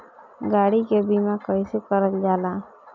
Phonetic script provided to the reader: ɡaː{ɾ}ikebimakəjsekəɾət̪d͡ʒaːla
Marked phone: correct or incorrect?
incorrect